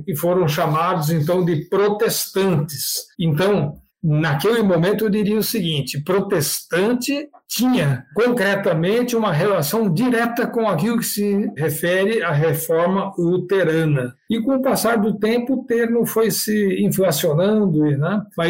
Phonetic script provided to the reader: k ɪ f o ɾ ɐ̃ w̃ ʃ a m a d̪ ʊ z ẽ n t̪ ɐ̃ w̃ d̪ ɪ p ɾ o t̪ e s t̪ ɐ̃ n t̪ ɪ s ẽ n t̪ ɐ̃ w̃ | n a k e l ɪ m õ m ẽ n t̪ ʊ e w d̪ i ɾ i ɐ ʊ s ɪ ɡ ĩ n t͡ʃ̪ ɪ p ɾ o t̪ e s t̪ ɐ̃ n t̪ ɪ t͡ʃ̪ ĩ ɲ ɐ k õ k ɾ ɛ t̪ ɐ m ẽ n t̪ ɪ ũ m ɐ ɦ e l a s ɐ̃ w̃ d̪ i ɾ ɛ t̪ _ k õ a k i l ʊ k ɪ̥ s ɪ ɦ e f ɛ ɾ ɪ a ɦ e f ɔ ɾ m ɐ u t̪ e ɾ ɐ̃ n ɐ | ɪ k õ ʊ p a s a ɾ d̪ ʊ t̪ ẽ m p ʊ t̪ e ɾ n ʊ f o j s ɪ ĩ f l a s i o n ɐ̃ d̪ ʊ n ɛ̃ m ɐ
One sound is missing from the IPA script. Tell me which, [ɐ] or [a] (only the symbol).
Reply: ɐ